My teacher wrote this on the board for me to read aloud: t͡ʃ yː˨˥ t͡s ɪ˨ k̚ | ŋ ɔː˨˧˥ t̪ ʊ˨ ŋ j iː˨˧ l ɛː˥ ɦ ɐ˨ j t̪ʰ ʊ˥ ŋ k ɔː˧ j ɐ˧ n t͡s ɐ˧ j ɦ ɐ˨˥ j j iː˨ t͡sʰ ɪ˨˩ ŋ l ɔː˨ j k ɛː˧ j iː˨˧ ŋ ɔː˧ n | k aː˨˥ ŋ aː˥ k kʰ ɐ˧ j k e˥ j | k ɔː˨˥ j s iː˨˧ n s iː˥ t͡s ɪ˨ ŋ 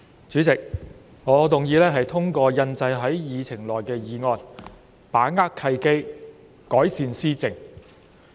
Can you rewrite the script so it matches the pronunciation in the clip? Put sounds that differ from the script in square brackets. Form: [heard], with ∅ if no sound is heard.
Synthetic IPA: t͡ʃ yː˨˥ t͡s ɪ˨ k̚ | ŋ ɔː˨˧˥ t̪ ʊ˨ ŋ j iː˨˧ l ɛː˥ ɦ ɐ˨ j t̪ʰ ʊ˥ ŋ k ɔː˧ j ɐ˧ n t͡s ɐ˧ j ɦ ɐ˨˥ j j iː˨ t͡sʰ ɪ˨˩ ŋ l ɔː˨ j k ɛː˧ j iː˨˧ ŋ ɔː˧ n | [p] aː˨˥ ŋ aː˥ k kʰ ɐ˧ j k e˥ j | k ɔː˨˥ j s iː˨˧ n s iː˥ t͡s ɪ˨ ŋ